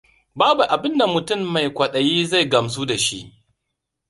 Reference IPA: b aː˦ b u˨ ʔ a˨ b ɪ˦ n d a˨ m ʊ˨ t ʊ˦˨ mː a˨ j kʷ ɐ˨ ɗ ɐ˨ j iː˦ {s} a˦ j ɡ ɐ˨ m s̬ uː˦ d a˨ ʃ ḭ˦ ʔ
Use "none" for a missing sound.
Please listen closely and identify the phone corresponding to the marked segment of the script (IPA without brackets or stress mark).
z